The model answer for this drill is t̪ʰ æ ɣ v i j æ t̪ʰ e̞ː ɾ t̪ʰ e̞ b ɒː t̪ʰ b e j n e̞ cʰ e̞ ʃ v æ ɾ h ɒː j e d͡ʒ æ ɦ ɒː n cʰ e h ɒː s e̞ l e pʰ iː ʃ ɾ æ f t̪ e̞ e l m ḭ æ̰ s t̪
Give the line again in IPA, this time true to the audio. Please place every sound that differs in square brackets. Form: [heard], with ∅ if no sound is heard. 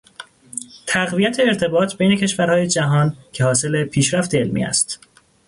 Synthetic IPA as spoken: t̪ʰ æ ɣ v i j æ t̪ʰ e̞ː ɾ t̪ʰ e̞ b ɒː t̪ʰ b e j n e̞ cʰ e̞ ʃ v æ ɾ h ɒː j e d͡ʒ æ ɦ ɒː n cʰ e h ɒː s e̞ l e pʰ iː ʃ ɾ æ f t̪ e̞ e l m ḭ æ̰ s t̪